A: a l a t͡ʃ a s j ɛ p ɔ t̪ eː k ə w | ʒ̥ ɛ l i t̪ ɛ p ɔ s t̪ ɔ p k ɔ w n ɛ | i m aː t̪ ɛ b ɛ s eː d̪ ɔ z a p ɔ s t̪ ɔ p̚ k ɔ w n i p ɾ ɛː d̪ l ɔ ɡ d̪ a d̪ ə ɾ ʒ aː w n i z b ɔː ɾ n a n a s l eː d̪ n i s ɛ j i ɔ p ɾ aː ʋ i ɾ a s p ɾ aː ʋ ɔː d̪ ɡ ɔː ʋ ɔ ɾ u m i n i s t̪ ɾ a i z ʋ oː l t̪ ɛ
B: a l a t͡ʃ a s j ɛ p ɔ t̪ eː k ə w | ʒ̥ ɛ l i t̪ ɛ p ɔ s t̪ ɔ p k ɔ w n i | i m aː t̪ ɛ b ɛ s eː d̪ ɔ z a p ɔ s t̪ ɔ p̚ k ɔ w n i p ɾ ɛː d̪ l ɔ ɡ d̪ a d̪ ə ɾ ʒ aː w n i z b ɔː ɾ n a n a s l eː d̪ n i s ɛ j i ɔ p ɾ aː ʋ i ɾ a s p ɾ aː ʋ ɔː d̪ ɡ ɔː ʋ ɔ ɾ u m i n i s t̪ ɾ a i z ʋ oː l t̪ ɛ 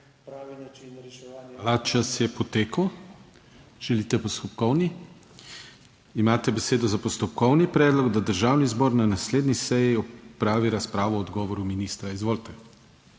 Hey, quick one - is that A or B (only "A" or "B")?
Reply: B